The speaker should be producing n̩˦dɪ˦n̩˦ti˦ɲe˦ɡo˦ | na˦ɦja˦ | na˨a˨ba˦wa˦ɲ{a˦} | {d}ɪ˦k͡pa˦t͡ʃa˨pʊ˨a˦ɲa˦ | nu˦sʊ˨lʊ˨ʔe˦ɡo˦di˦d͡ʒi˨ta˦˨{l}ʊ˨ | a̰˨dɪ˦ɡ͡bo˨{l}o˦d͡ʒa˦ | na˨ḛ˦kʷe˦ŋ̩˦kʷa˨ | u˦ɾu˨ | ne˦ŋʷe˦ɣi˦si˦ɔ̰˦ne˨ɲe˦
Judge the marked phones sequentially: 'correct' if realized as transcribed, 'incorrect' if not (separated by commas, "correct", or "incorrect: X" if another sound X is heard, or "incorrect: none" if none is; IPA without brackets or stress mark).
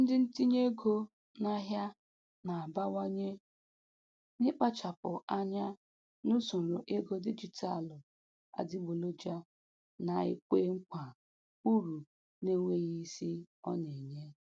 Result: incorrect: e˦, incorrect: n, correct, correct